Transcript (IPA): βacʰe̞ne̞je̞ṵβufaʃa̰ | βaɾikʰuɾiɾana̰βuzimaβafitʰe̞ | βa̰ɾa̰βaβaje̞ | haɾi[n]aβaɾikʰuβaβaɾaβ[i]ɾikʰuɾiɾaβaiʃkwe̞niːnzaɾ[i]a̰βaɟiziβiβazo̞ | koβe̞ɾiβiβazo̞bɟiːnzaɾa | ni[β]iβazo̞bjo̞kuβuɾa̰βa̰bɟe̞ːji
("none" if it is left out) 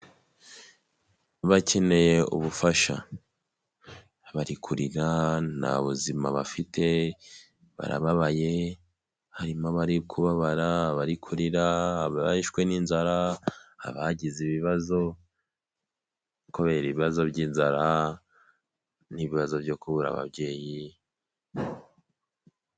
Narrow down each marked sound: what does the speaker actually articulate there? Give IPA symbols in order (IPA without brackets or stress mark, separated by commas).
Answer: m, a, a, β